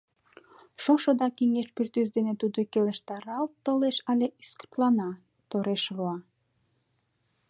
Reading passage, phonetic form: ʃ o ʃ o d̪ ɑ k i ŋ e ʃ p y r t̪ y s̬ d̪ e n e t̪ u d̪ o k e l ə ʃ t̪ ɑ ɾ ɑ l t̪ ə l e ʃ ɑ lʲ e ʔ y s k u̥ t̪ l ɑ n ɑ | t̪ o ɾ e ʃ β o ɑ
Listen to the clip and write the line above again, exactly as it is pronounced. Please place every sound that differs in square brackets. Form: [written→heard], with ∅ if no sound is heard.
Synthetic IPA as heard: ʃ o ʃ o d̪ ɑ k i ŋ e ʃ p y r t̪ y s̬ d̪ e n e t̪ u d̪ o k e l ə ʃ t̪ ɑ ɾ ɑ l t̪ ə l e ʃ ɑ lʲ e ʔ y s k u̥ t̪ l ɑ n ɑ | t̪ o ɾ e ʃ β o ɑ